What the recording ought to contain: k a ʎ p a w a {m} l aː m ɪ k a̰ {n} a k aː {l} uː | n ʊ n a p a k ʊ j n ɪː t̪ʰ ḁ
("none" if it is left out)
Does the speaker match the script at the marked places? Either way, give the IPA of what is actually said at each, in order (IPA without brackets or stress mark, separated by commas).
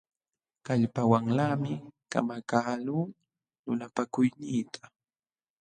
ŋ, m, l